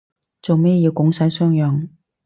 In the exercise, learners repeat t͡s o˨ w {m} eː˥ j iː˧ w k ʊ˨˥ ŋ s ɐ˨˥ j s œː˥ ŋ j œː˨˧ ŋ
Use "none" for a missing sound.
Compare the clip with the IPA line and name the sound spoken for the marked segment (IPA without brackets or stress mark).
m